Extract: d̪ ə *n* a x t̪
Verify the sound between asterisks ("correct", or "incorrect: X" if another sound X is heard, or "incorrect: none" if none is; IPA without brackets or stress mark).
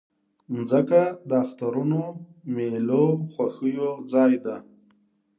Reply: incorrect: none